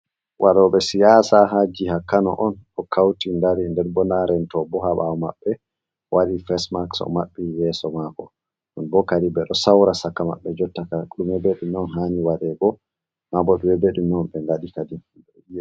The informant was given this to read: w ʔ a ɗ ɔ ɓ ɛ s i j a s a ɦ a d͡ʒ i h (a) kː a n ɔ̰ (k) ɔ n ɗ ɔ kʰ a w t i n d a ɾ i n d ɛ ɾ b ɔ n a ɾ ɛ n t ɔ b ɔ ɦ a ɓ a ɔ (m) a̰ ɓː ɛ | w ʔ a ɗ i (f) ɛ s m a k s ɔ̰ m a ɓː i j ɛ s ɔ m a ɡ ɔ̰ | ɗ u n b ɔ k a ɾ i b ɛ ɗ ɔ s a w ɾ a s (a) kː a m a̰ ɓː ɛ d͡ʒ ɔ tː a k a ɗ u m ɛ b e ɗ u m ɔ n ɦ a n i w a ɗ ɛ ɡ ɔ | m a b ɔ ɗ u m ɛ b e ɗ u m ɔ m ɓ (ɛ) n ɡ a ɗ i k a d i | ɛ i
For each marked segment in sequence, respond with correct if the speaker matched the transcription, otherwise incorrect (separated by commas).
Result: correct, incorrect, correct, correct, correct, correct